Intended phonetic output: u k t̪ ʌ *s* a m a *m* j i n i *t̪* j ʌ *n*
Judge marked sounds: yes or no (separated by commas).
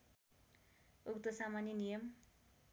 yes, no, no, no